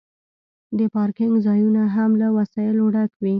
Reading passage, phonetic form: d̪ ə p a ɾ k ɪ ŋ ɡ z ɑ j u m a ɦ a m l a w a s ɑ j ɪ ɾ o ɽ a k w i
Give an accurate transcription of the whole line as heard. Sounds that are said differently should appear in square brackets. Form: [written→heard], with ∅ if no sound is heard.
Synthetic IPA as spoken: d̪ ə p [a→ɑ] ɾ k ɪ ŋ ɡ z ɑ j u [m→n] a ɦ a m l a w a s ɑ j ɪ [ɾ→l] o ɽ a k w i